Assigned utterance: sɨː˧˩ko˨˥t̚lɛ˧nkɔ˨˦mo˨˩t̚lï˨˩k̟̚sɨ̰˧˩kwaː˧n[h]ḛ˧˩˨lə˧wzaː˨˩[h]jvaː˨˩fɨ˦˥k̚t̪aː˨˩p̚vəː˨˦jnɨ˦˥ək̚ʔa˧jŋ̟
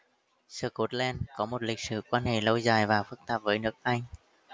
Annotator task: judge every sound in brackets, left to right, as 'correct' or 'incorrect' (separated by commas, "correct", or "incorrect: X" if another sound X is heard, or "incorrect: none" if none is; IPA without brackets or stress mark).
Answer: correct, incorrect: none